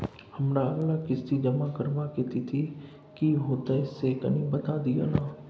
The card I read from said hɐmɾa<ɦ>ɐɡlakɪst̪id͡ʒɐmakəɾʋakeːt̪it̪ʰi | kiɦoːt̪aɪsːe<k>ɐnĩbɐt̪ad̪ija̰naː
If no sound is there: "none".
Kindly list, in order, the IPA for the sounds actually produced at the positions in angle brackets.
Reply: none, k

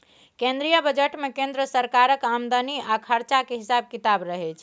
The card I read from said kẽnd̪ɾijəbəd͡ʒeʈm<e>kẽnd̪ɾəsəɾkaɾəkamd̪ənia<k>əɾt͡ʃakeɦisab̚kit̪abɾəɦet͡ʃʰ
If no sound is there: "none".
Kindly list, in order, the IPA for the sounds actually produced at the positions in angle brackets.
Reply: e, kʰ

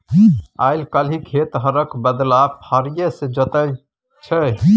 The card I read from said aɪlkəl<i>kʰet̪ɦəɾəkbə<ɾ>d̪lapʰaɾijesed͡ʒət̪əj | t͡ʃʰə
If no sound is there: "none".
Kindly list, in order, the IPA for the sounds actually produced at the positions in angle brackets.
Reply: i, none

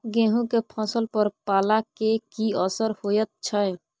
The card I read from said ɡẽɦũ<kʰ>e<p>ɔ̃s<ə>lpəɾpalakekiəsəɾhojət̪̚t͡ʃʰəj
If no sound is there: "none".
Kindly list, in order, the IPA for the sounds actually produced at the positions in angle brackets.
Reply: k, pʰ, ə

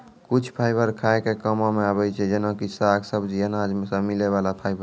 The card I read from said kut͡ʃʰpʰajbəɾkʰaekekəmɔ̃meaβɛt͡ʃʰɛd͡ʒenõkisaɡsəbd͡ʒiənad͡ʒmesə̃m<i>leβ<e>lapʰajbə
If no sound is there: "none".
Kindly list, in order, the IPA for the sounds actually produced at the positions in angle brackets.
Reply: i, a

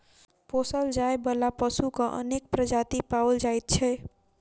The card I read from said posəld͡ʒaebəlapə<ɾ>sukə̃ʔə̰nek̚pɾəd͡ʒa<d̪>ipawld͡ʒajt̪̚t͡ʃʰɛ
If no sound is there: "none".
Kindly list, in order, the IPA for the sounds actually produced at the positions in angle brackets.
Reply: none, t̪

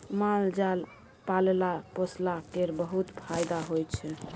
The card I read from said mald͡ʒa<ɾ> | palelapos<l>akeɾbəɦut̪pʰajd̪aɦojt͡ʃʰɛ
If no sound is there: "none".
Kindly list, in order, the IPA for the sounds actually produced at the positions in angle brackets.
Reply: l, l

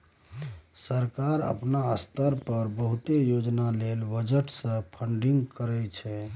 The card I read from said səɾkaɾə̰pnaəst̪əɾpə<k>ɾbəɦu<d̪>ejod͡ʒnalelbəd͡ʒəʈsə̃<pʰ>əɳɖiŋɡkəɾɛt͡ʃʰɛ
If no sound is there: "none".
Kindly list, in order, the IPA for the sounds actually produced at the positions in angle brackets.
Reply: none, t̪, pʰ

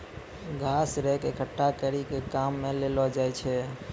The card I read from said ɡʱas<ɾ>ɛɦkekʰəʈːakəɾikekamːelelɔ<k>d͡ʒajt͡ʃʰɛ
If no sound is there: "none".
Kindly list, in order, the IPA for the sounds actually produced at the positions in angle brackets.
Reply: ɾ, none

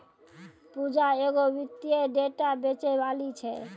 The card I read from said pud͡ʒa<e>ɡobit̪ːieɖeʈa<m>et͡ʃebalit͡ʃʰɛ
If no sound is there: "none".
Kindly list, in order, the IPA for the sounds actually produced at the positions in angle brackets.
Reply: e, b

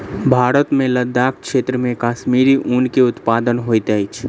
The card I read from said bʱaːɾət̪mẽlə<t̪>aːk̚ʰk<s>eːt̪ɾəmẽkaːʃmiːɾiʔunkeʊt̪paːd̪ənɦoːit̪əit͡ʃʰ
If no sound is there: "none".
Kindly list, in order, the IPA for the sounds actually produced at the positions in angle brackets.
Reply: d̪, ʃ

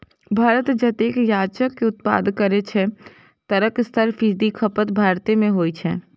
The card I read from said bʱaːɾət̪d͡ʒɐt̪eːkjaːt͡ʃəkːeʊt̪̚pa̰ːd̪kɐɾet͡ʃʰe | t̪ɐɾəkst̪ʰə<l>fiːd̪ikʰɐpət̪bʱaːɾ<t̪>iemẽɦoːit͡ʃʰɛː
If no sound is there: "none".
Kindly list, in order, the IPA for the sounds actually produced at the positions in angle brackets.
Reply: ɾ, t̪

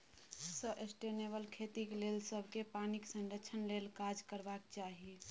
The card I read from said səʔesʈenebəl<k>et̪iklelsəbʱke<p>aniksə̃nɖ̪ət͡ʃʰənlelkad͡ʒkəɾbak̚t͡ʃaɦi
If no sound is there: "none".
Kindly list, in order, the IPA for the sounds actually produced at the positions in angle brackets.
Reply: kʰ, p

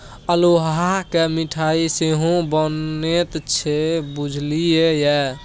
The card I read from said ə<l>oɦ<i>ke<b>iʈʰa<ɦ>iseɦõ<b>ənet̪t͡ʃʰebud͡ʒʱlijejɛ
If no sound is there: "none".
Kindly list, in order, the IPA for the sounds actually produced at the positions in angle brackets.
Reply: l, a, m, none, b

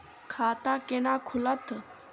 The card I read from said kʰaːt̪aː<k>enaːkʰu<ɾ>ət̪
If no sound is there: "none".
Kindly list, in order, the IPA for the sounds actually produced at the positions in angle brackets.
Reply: k, l

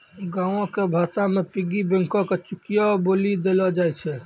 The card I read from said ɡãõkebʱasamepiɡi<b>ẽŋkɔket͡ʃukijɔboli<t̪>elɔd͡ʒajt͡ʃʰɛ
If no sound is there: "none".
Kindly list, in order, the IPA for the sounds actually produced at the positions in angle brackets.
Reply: b, d̪

